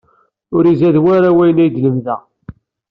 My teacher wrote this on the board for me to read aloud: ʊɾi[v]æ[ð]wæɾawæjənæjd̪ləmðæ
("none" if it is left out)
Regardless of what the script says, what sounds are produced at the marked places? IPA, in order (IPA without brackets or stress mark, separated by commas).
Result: z, ð